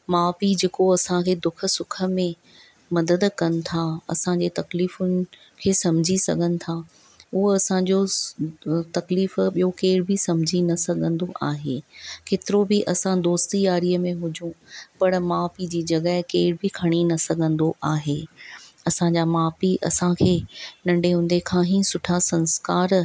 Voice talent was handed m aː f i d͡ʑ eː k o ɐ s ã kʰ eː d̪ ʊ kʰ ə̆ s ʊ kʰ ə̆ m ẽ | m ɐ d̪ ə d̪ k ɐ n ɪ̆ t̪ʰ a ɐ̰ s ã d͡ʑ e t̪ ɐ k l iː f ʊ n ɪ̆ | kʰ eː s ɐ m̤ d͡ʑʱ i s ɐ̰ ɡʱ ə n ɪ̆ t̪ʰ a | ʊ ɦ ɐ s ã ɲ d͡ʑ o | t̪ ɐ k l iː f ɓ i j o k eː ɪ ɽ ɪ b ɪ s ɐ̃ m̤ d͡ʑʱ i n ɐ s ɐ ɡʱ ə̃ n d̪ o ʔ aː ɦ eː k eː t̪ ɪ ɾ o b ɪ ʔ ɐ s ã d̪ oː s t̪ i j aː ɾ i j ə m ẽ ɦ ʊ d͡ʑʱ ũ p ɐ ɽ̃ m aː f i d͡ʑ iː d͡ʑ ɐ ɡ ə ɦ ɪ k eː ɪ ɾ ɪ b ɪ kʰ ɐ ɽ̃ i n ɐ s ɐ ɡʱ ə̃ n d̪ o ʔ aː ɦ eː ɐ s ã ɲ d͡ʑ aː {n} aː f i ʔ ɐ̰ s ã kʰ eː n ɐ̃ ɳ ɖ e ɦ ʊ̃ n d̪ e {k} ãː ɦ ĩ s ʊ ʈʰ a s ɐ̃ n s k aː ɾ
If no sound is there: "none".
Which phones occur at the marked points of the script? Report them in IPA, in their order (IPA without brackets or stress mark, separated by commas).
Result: m, kʰ